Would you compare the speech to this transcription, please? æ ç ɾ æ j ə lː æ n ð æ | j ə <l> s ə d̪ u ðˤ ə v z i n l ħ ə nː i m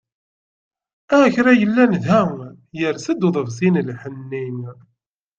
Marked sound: incorrect: ɾ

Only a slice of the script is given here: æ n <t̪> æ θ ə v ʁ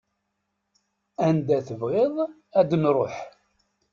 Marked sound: incorrect: d̪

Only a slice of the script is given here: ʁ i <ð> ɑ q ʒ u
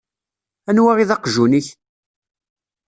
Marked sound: correct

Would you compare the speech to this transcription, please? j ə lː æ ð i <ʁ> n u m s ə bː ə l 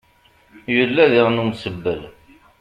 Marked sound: correct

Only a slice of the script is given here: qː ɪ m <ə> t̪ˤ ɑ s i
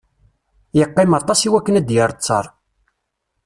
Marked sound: incorrect: ɑ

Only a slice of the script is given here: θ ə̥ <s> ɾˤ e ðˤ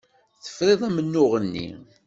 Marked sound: incorrect: f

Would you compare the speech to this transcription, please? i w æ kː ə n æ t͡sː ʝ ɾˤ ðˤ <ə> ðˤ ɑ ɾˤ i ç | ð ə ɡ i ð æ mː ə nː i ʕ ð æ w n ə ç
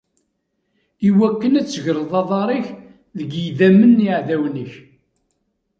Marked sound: incorrect: ɑ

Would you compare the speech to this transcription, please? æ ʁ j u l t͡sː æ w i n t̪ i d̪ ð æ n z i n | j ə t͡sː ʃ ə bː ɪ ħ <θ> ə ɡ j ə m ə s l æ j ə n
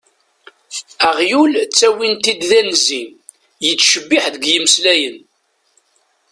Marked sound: incorrect: ð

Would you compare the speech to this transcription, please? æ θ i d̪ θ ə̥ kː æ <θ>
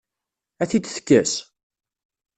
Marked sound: incorrect: s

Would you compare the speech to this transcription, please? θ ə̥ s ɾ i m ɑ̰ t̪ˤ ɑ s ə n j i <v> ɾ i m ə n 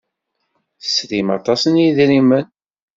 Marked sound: incorrect: ð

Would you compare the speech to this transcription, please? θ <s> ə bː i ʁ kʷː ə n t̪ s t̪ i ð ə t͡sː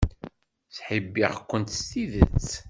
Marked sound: incorrect: ħ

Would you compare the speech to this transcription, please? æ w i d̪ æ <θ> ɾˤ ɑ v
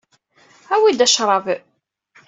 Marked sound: incorrect: ʃ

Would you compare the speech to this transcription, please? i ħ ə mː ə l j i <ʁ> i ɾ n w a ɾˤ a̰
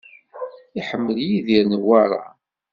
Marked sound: incorrect: ð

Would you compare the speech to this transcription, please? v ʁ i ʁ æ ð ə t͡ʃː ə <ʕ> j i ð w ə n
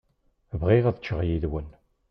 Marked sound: incorrect: ʁ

